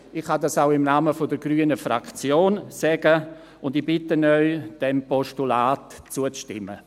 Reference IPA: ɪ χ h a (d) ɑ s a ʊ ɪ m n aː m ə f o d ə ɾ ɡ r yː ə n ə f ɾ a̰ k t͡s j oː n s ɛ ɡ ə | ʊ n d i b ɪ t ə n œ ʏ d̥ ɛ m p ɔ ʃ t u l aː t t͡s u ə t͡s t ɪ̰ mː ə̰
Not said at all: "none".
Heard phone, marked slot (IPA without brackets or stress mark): d